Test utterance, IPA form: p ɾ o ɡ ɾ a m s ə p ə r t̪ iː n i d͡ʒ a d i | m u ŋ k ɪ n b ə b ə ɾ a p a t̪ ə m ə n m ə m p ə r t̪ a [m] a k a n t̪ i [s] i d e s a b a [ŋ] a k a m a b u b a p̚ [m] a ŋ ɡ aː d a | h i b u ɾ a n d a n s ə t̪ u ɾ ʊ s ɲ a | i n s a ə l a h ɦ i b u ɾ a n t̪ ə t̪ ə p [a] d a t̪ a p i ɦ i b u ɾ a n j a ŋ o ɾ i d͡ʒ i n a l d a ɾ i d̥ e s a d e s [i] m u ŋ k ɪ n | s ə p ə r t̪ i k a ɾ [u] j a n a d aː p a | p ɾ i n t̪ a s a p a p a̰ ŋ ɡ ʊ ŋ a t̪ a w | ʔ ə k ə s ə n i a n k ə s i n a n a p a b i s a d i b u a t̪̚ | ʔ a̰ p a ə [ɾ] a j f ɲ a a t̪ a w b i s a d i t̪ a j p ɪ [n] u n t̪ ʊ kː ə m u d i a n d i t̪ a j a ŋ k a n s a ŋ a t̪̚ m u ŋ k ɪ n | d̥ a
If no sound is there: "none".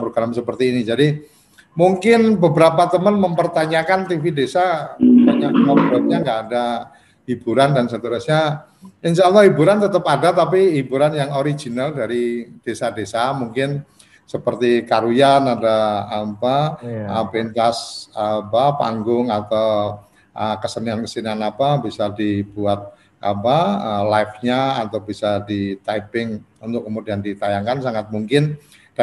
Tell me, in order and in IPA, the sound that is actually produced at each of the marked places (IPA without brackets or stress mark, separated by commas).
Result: ɲ, f, ɲ, ɲ, a, a, u, l, ŋ